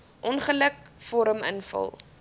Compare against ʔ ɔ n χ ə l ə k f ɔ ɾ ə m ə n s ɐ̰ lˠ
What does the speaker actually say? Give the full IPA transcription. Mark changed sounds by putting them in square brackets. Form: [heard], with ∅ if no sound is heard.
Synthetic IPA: ʔ ɔ n χ ə l ə k f ɔ ɾ ə m ə n [f] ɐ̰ lˠ